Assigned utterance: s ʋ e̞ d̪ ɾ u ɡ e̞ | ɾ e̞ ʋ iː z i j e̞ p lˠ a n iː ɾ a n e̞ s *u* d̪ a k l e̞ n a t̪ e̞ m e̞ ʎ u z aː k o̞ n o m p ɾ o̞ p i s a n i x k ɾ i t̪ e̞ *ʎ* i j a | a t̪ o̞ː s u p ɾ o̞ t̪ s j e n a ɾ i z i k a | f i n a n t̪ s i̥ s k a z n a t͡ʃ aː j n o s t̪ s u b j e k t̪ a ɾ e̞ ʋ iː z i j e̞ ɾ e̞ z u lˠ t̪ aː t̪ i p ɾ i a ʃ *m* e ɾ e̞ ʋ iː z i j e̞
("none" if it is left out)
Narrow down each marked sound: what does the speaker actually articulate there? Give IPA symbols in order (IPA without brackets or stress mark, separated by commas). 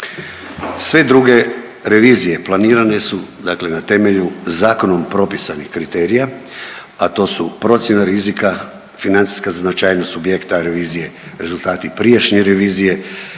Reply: u, ɾ, ɲ